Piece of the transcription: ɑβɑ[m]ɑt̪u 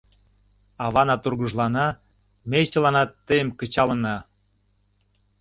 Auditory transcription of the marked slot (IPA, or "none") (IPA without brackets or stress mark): n